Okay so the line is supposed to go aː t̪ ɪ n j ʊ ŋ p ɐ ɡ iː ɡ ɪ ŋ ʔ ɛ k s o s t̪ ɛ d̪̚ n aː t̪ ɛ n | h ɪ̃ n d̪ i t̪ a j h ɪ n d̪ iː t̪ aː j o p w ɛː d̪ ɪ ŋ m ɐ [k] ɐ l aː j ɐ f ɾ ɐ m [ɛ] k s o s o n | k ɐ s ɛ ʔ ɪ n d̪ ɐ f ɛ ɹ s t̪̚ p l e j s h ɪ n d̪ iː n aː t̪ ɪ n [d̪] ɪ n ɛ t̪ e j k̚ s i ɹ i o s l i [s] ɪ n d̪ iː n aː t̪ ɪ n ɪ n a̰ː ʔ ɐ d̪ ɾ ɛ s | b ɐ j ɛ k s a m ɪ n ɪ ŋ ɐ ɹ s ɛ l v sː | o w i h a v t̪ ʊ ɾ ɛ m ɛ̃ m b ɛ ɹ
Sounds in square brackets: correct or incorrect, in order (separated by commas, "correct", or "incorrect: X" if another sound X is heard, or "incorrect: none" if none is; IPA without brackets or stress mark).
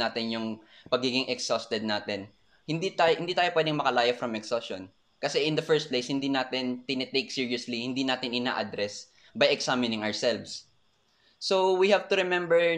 correct, correct, incorrect: t̪, incorrect: h